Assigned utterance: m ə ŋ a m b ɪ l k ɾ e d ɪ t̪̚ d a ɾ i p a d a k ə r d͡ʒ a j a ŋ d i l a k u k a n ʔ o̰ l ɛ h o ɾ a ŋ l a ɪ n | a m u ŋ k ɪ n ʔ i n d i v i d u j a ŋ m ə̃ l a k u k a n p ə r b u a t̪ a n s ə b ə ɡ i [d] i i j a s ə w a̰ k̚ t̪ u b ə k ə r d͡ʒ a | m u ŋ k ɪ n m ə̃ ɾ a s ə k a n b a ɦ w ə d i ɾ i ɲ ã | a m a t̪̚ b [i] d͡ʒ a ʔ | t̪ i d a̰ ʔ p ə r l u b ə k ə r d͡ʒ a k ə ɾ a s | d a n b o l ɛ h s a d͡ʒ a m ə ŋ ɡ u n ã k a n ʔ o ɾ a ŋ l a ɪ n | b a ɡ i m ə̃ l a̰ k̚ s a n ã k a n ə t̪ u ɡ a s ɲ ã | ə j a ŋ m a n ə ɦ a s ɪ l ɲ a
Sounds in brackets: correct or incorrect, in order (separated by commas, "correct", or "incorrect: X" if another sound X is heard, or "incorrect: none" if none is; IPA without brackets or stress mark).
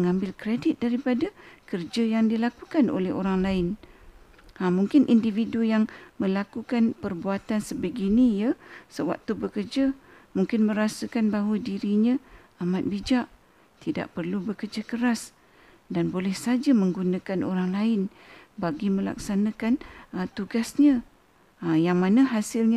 incorrect: n, correct